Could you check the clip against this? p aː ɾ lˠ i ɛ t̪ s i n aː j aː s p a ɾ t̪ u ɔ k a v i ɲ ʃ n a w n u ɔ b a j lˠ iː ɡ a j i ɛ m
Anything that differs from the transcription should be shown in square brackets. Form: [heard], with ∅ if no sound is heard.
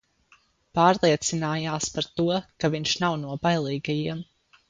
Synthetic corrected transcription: p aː ɾ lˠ i ɛ t̪ s i n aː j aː s p a ɾ t̪ u ɔ k a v i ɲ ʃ n a w n u ɔ b a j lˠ iː ɡ a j i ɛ m